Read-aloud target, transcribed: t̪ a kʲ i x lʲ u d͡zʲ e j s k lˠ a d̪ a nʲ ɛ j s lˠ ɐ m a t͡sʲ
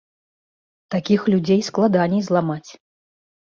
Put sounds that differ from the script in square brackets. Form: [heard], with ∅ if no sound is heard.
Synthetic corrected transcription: t̪ a kʲ i x lʲ u d͡zʲ e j s k lˠ a d̪ a nʲ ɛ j [z] lˠ [a] m a t͡sʲ